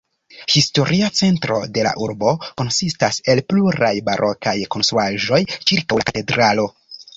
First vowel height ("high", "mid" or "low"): high